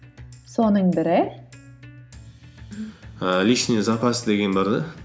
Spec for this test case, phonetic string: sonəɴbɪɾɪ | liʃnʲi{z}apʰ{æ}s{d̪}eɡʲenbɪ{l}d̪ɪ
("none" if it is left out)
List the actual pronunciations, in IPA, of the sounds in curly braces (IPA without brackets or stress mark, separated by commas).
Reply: z, a, d̪, ɾ